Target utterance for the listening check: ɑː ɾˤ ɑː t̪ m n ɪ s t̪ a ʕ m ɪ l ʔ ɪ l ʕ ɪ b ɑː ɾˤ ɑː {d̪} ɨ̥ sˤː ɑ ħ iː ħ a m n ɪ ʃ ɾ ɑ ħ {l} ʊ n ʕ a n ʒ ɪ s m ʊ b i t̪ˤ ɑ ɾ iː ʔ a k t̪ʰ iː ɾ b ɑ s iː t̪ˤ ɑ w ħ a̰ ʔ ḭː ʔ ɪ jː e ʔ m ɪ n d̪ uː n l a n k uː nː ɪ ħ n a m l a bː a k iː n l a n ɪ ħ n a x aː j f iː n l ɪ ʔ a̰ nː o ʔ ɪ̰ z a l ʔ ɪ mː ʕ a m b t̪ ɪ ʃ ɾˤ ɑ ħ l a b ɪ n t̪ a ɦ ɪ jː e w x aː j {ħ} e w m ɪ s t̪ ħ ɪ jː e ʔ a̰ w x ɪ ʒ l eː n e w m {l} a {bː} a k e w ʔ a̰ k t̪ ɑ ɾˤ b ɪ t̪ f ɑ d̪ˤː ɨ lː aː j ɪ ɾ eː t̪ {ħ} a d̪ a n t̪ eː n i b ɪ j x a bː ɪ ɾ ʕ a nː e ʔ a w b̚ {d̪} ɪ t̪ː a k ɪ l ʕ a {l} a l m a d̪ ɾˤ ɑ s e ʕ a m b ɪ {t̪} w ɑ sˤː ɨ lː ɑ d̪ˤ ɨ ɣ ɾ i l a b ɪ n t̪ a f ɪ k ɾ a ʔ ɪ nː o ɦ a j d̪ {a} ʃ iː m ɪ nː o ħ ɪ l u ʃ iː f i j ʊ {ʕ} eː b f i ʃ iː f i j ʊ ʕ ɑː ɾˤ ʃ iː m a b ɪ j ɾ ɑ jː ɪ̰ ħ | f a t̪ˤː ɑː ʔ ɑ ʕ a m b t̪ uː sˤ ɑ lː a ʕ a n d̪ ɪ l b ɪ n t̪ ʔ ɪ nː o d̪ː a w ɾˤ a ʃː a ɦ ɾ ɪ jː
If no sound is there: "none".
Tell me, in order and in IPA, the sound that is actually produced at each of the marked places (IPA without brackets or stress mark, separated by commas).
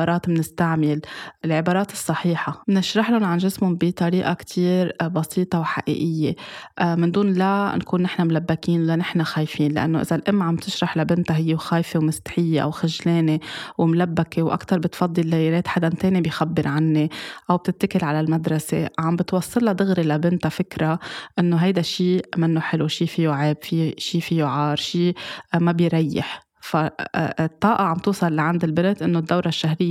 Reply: t̪, l, f, l, bː, ħ, t̪, l, t̪, a, ʕ